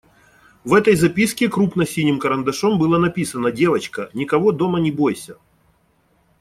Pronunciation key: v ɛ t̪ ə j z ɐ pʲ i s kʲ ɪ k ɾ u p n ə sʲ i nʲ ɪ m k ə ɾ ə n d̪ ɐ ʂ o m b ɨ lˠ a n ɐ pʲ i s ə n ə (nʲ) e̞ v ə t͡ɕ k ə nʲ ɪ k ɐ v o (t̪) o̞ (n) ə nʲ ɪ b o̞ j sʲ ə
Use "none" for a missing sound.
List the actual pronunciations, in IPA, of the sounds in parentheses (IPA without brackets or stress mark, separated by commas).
dʲ, d̪, m